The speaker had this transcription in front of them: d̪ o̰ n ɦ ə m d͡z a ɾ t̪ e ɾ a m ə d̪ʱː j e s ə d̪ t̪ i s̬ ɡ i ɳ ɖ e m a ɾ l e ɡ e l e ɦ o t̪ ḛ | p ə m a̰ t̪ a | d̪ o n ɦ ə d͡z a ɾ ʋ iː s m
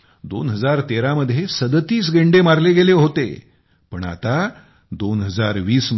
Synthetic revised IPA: d̪ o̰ n ɦ ə d͡z a ɾ t̪ e ɾ a m ə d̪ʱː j e s ə d̪ t̪ iː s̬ ɡ e ɳ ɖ e m a ɾ l e ɡ e l e ɦ o t̪ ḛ | p ə ɳ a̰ t̪ a | d̪ o n ɦ ə d͡z a ɾ ʋ iː s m